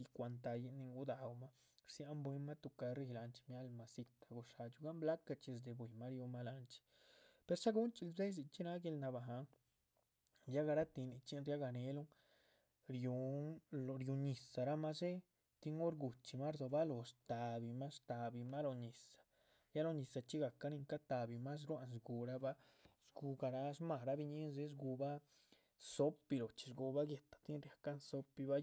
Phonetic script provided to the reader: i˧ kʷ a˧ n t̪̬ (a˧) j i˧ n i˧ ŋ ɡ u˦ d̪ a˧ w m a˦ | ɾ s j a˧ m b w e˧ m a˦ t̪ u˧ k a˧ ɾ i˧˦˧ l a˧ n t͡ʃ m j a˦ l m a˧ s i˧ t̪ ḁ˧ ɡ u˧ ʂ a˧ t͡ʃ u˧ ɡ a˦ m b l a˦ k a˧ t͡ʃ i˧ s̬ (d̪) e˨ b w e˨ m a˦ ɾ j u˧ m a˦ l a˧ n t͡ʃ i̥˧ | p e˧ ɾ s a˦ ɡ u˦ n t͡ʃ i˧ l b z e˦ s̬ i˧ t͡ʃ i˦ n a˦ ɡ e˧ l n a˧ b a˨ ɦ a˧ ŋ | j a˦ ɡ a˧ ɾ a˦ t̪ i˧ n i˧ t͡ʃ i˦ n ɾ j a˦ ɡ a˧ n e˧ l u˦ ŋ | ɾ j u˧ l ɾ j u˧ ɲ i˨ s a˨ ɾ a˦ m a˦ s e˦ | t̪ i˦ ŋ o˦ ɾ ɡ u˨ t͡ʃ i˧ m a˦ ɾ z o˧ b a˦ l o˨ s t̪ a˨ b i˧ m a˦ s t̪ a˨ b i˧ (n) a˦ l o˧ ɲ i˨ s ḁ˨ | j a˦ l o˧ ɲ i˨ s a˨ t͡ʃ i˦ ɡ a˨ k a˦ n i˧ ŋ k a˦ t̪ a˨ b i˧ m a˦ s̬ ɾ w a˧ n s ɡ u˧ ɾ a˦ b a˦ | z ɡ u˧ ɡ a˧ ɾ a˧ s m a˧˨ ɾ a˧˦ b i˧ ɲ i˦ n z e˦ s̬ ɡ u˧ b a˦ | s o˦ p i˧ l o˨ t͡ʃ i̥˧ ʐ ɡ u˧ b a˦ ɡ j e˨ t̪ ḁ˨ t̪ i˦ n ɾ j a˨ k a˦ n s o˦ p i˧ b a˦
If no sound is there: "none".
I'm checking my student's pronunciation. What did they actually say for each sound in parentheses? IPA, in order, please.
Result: a˧, d̪, m

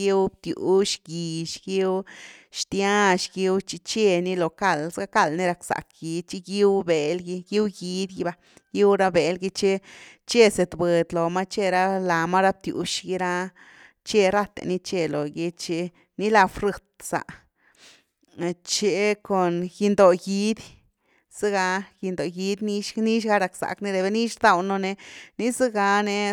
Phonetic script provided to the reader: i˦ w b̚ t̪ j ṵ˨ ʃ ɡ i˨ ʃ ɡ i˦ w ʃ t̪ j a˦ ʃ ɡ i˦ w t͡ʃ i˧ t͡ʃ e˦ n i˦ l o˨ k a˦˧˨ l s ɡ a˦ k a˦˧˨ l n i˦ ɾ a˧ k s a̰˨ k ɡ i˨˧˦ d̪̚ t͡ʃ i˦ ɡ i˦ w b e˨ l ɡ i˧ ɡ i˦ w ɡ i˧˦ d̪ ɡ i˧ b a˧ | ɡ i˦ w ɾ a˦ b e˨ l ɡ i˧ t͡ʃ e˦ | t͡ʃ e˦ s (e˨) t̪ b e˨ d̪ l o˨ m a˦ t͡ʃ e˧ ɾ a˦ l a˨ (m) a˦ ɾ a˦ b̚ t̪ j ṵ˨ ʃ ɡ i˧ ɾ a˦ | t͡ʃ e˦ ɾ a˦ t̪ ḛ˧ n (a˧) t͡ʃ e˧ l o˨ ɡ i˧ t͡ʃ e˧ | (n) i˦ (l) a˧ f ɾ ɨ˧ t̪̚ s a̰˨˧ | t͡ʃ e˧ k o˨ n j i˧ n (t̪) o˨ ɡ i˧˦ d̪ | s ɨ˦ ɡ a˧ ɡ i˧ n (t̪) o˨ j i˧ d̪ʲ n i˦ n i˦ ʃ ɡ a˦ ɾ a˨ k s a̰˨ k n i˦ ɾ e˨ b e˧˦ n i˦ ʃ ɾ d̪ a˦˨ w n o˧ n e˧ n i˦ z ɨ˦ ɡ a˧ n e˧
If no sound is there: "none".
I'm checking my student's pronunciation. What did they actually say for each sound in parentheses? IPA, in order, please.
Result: e˨, m, i˧, n, l, d̪, d̪

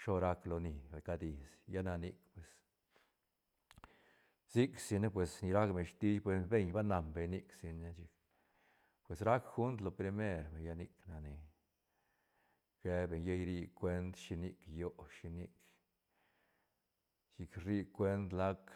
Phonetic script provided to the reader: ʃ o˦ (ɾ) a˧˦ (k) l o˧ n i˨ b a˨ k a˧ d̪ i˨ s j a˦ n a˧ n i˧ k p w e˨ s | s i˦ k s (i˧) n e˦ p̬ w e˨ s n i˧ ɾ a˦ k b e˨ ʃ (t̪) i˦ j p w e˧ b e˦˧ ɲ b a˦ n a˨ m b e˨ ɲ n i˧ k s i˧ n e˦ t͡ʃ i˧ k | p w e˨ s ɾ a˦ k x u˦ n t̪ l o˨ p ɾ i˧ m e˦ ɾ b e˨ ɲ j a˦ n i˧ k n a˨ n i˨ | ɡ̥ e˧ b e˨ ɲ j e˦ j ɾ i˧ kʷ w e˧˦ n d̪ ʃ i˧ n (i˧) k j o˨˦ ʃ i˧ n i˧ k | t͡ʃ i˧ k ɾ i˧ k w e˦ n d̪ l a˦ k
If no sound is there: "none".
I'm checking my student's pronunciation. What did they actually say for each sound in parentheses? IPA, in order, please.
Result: ɾ, k, i˧, t̪, i˧

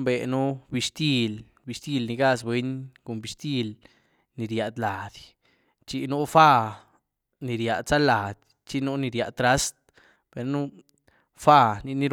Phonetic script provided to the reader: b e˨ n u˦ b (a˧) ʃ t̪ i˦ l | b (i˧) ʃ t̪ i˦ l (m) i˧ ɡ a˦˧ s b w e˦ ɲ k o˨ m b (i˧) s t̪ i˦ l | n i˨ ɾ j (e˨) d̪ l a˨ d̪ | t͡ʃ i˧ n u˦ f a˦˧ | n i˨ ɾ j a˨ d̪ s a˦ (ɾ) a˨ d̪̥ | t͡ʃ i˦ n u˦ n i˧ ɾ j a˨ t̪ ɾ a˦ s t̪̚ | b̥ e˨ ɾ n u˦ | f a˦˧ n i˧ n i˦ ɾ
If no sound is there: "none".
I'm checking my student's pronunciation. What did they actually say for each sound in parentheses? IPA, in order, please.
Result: i˧, i˧, n, i˧, a˨, l

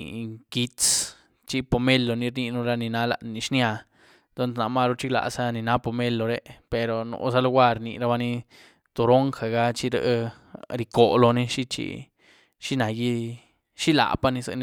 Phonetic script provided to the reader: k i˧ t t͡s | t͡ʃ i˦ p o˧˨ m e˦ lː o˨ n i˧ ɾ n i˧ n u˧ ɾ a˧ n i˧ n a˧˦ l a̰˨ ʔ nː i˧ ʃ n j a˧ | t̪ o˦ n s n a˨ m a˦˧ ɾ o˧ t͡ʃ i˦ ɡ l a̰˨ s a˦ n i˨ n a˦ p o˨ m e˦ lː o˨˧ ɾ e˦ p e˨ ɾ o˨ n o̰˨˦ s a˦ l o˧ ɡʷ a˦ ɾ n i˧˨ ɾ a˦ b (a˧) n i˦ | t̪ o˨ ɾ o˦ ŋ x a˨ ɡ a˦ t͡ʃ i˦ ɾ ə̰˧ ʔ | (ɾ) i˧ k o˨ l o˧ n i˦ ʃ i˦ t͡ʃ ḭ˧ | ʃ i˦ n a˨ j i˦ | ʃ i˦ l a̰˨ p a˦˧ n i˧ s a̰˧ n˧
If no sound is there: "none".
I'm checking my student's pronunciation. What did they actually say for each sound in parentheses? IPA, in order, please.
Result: a˧, ɾ

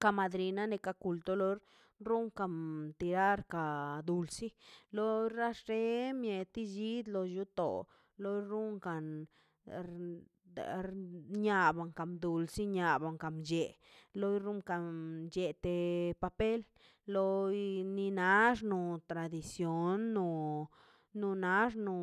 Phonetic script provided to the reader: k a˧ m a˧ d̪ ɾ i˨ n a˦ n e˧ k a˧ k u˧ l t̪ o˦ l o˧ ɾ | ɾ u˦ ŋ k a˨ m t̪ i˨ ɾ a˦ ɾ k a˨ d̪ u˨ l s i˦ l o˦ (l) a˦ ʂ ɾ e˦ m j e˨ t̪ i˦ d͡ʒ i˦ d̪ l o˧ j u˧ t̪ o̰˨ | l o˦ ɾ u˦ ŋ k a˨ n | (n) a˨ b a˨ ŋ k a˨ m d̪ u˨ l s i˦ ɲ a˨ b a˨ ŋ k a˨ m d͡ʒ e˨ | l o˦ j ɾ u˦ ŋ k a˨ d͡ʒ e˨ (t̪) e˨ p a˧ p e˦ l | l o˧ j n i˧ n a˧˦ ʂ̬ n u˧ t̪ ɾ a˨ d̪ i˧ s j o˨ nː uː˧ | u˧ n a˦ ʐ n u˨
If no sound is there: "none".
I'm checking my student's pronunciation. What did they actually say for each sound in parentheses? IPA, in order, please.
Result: ɾ, ɲ, t̪

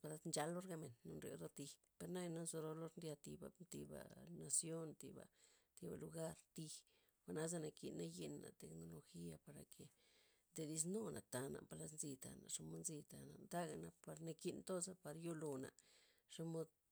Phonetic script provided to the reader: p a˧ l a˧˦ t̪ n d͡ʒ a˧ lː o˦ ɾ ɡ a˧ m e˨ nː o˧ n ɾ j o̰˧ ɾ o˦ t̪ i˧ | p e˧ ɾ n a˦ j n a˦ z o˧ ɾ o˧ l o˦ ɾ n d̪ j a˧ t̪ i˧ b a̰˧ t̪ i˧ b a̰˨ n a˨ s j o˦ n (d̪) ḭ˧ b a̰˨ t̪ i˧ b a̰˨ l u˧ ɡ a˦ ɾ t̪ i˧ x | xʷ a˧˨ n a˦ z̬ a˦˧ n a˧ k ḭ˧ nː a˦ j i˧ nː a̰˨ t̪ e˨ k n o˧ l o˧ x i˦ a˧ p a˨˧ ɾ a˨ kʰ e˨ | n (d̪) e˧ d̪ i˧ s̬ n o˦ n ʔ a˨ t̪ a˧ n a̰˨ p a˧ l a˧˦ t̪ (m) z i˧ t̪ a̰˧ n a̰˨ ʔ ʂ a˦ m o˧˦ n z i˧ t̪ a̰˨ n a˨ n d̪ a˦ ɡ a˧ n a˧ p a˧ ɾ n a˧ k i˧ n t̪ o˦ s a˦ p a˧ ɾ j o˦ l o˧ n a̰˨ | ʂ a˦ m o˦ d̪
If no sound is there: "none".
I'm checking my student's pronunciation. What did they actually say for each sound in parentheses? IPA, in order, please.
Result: t̪, d̪, n

